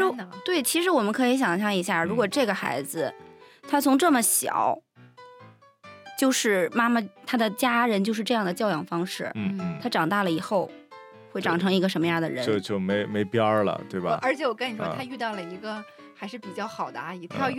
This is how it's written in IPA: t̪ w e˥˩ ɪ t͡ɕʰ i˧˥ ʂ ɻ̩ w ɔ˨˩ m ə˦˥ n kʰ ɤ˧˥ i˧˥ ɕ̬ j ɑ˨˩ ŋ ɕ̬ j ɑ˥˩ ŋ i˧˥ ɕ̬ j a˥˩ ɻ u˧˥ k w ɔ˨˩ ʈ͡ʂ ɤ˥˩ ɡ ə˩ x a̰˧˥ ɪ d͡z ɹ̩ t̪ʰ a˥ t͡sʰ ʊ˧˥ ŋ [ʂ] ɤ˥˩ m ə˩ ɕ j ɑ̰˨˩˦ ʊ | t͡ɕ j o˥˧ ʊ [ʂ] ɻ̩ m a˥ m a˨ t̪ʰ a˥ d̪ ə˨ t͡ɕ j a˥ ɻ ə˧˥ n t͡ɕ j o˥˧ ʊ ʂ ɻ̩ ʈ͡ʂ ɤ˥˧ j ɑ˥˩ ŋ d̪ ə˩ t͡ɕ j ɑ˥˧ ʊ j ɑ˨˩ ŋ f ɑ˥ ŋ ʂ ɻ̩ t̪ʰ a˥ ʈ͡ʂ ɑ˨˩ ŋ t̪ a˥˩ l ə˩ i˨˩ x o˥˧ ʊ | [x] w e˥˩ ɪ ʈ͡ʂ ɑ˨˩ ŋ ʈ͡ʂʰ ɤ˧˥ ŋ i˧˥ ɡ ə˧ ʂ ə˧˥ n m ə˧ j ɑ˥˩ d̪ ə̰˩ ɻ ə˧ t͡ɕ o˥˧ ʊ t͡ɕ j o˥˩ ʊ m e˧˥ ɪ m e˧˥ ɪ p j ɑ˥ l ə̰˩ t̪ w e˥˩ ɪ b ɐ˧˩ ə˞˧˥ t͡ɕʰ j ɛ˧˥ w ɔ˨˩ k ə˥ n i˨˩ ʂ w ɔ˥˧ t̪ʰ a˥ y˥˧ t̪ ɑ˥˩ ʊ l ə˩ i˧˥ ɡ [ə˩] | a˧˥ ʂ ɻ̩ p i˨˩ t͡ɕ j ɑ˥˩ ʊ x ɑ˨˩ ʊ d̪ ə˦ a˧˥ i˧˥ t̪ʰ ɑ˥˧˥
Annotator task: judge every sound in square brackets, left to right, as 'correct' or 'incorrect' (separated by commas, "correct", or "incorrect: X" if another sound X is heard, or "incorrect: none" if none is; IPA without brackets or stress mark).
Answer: incorrect: ʈ͡ʂ, correct, correct, incorrect: ə˧